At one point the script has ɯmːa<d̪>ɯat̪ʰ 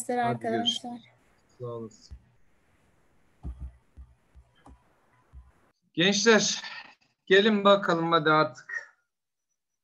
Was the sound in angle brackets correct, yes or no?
yes